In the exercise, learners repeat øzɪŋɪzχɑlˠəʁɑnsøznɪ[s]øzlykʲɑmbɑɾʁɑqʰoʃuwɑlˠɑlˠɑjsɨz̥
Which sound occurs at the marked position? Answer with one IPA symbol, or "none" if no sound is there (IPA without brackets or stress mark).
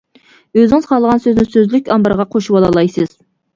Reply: s